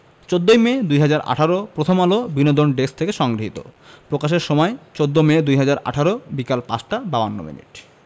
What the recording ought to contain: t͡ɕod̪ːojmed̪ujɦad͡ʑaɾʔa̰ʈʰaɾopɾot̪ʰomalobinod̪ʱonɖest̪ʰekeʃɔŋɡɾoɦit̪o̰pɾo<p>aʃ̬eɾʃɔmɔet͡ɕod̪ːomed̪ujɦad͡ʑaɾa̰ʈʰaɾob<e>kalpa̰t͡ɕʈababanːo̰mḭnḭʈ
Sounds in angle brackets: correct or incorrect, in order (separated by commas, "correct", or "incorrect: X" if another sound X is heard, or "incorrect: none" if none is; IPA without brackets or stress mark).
incorrect: k, incorrect: i